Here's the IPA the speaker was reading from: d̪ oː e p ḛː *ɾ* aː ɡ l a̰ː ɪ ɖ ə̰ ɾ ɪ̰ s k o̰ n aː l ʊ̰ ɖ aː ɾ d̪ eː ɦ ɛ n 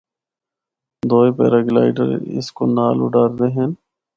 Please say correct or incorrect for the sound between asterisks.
correct